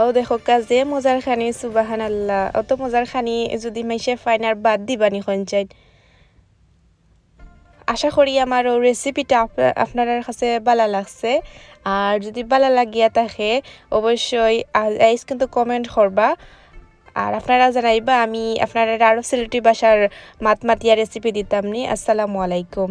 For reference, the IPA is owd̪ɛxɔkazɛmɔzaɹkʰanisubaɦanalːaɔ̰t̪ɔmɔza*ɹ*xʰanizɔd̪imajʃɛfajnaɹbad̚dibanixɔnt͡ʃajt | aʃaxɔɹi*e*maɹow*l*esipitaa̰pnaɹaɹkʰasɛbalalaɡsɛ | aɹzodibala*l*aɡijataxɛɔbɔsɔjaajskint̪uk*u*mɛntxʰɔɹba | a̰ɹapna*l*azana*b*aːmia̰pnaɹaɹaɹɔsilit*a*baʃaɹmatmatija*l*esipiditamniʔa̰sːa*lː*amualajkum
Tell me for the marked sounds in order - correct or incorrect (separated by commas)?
correct, incorrect, incorrect, correct, incorrect, incorrect, correct, incorrect, incorrect, incorrect